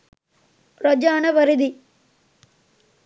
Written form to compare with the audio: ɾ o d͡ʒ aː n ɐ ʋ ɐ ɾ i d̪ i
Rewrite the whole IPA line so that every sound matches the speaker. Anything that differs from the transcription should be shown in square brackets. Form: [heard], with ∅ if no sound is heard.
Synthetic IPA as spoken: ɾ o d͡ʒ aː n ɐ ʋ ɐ ɾ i d̪ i